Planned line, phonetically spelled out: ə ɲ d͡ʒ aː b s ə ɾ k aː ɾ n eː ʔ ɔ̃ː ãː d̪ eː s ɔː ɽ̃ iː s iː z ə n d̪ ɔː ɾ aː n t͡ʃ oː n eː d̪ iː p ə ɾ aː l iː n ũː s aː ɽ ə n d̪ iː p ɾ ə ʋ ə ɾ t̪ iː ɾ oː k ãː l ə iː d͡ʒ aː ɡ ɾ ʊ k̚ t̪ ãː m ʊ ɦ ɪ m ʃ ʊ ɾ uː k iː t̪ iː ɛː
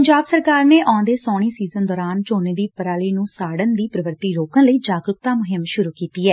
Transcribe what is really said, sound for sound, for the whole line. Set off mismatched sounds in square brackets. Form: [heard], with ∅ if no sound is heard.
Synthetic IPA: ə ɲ d͡ʒ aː b s ə ɾ k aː ɾ n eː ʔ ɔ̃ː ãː d̪ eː s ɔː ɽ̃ iː s iː z ə n d̪ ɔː ɾ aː n t͡ʃ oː n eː d̪ iː p ə ɾ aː l iː n ũː s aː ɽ ə n d̪ iː p ɾ ə ʋ ə ɾ t̪ iː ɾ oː k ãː l ə iː d͡ʒ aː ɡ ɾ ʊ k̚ t̪ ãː m ʊ ɦ ɪ m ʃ ʊ ɾ uː k iː t̪ iː ɛː